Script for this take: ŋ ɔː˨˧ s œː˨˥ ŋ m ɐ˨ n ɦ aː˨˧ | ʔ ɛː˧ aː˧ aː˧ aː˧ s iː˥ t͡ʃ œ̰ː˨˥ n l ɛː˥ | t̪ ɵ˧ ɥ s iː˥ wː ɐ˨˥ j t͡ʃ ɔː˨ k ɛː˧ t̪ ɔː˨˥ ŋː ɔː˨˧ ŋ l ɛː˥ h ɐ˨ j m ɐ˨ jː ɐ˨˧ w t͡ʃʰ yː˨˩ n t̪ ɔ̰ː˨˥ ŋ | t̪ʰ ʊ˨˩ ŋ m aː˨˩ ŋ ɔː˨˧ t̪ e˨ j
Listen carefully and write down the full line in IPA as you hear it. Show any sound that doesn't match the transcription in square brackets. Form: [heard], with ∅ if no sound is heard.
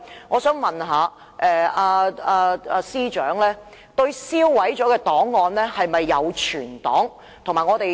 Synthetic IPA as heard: ŋ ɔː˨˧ s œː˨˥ ŋ m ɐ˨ n ɦ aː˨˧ | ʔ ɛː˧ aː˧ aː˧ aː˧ s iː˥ t͡ʃ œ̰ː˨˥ [ŋ] l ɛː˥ | t̪ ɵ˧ ɥ s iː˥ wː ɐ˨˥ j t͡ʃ [ɔː˨˥] k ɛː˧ t̪ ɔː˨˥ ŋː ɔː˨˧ [n] l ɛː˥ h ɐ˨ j m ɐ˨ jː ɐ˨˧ w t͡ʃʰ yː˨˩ n t̪ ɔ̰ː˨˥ ŋ | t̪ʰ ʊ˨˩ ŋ m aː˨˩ ŋ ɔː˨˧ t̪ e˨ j